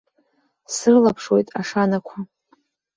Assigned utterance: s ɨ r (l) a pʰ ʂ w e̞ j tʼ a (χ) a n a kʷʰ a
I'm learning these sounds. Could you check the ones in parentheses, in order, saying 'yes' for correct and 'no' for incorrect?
yes, no

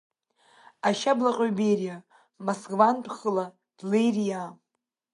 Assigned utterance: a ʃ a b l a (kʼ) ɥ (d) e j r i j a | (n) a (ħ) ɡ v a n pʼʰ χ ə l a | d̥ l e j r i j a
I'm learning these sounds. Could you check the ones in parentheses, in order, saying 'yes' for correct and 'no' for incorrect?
no, no, no, no

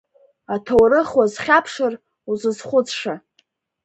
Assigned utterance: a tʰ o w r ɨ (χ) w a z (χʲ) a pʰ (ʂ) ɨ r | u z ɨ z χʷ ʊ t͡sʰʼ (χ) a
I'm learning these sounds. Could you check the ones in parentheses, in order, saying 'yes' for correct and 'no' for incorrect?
yes, yes, yes, no

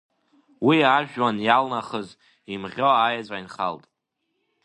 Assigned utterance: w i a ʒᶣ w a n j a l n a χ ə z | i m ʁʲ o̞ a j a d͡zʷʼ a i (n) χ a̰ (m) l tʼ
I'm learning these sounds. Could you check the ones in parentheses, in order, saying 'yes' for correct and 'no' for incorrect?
yes, no

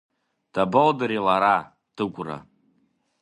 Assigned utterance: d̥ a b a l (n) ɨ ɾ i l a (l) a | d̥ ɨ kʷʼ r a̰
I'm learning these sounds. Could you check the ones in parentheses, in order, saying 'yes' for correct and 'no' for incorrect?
no, no

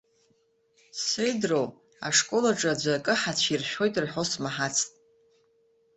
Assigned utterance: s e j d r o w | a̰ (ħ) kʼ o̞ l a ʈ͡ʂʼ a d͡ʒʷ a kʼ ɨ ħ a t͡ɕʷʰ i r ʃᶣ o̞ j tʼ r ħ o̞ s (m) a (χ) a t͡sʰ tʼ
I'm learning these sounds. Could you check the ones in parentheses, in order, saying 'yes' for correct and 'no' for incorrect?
no, yes, no

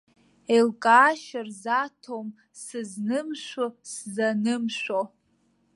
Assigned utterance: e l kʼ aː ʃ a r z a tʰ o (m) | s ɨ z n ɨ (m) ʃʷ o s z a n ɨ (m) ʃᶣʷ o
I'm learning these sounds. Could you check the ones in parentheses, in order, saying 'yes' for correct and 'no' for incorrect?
yes, yes, yes

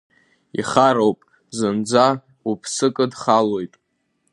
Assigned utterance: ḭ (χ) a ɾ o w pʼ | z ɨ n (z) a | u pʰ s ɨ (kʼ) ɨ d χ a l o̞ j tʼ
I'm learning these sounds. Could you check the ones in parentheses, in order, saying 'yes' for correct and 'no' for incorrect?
yes, no, yes

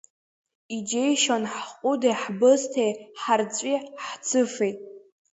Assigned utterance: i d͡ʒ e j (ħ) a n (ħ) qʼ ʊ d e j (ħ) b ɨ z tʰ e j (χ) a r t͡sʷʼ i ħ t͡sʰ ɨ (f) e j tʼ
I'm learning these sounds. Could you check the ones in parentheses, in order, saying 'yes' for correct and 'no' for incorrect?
no, yes, yes, no, yes

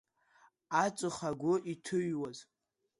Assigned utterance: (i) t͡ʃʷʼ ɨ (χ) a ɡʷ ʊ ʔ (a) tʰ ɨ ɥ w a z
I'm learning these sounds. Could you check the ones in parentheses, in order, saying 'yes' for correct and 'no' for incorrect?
no, yes, no

